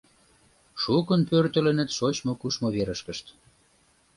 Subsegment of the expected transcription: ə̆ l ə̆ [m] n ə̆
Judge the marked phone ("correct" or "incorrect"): incorrect